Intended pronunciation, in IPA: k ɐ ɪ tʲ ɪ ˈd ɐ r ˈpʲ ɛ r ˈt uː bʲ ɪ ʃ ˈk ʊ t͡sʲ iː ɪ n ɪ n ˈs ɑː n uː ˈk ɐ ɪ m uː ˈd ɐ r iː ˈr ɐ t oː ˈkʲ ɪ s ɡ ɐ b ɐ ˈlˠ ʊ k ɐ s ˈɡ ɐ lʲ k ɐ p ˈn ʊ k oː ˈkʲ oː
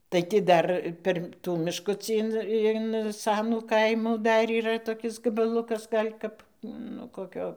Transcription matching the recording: t ɐ ɪ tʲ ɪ ˈd ɐ r ˈpʲ ɛ r ˈt uː mʲ ɪ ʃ ˈk ʊ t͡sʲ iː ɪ n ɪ n ˈs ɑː n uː ˈk ɐ ɪ m uː ˈd ɐ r iː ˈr ɐ t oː ˈkʲ ɪ s ɡ ɐ b ɐ ˈlˠ ʊ k ɐ s ˈɡ ɐ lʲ k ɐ p ˈn ʊ k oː ˈkʲ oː